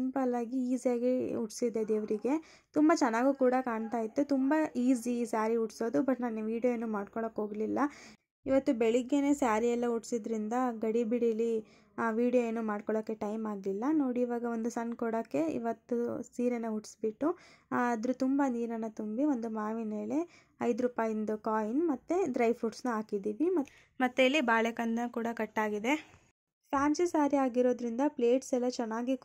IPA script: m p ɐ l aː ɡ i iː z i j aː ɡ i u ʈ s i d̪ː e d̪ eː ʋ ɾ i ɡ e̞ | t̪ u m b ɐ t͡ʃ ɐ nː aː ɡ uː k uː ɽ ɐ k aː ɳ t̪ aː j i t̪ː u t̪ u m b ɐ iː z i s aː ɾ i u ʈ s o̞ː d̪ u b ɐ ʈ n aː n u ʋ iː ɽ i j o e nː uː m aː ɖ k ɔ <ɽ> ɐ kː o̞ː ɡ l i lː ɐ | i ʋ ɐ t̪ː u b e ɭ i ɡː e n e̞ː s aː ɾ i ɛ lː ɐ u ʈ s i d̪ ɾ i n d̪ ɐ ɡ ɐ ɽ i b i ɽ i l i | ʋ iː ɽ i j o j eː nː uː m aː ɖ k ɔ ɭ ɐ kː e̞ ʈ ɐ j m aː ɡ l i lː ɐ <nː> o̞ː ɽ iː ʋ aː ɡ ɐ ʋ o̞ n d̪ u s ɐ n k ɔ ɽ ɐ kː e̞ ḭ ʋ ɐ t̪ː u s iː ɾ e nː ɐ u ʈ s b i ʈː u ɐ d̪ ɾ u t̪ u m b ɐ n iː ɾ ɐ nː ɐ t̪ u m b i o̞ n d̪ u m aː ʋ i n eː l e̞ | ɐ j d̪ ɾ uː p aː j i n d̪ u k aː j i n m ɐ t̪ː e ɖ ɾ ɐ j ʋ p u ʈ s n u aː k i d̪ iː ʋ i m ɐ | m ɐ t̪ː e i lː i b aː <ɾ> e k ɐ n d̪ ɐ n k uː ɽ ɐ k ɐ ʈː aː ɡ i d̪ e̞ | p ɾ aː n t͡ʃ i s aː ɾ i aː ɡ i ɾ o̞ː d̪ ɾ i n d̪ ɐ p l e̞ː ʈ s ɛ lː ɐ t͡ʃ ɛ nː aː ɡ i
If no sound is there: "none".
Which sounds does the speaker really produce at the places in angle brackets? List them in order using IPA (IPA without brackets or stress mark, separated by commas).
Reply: ɭ, n, ɭ